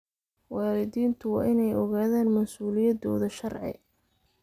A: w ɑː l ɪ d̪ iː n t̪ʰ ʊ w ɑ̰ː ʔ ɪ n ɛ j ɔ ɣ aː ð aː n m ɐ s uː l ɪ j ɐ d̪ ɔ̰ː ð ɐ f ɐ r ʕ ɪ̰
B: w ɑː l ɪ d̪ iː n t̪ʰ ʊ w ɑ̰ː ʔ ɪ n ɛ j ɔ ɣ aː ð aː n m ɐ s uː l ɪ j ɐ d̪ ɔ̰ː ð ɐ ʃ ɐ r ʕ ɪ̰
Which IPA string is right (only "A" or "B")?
B